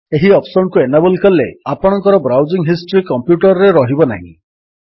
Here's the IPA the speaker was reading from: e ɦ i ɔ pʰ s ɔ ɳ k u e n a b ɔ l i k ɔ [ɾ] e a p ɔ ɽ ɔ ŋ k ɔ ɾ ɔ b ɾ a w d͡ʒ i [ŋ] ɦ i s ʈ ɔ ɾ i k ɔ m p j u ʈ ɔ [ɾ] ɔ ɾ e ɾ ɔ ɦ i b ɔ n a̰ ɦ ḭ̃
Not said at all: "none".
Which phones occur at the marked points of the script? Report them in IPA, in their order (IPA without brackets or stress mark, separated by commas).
l, ŋ, ɾ